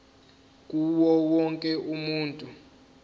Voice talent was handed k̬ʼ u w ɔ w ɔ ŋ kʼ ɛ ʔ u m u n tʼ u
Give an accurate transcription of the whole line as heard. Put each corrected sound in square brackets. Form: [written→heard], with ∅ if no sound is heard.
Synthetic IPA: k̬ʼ u w ɔ w ɔ ŋ kʼ ɛ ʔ u m [u→uː] n tʼ u